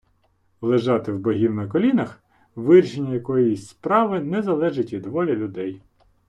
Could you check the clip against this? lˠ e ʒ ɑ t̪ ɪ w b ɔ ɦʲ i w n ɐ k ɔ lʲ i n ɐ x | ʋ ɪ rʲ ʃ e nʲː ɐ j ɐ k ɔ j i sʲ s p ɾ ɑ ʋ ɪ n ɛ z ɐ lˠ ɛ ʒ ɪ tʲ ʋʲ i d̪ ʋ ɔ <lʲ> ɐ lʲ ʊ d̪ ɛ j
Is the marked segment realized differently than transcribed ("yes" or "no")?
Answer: no